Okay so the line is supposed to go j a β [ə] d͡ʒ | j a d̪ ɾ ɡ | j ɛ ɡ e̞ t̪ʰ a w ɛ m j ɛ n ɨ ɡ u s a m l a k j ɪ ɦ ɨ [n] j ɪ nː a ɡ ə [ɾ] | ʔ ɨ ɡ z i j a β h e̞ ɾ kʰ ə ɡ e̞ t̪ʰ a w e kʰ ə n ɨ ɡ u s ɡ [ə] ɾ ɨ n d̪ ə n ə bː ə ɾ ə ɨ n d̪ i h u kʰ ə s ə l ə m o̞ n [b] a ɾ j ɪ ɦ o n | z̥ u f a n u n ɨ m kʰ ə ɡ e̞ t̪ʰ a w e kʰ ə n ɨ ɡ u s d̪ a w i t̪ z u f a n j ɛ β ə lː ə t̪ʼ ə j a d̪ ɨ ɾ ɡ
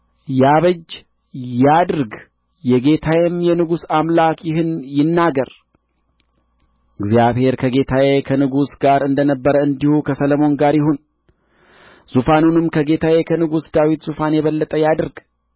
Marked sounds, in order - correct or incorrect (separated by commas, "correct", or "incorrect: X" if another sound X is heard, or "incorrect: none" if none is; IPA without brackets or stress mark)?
correct, correct, correct, incorrect: a, incorrect: ɡ